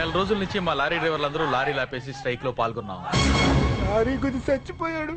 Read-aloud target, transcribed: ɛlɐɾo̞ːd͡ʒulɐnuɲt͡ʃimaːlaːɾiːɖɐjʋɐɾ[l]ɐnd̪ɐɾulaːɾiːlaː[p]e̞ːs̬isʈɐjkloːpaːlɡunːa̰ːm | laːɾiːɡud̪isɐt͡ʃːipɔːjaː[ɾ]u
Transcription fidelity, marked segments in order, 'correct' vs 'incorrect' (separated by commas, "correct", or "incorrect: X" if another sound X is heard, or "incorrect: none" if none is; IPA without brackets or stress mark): correct, correct, incorrect: ɽ